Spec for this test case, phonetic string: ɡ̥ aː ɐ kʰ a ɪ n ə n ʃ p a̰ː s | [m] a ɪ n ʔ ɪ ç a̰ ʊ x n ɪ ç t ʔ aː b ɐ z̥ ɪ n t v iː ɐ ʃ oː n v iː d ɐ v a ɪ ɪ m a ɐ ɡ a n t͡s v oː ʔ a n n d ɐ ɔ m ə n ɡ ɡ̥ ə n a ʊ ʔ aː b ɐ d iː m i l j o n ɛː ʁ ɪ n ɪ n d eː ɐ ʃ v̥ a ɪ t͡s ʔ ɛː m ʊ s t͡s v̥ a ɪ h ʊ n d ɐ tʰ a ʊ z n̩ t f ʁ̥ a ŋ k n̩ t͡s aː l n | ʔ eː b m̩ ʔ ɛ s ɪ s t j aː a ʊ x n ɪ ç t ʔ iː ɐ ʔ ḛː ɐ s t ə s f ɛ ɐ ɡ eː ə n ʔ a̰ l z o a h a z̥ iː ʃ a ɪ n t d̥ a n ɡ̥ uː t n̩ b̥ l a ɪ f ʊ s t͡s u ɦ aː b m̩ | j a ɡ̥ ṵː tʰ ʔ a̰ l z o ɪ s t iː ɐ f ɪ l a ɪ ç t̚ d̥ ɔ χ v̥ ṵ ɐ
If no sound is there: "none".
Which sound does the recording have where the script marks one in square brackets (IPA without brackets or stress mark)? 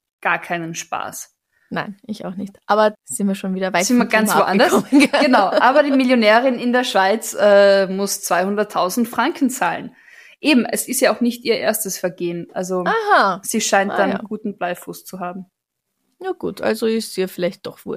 n